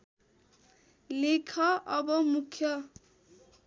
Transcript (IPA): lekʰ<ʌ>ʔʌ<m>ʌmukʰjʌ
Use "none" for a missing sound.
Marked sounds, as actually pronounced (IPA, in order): ʌ, b

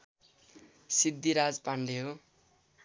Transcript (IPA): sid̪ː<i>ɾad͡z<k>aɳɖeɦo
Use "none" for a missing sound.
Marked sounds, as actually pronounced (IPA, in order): i, p

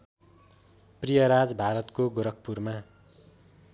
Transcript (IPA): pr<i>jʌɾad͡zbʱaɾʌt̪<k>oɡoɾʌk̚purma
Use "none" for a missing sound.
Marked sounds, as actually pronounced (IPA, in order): i, k

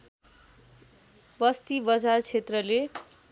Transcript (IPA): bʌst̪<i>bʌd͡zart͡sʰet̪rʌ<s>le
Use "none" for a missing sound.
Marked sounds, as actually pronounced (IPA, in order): i, none

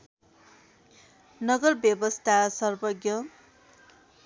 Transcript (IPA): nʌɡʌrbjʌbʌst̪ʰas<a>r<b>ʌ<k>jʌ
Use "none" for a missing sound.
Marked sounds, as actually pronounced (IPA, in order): ʌ, b, ɡ

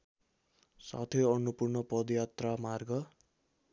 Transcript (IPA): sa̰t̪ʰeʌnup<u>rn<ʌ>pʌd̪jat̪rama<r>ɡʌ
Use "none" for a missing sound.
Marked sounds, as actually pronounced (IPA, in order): u, ʌ, r

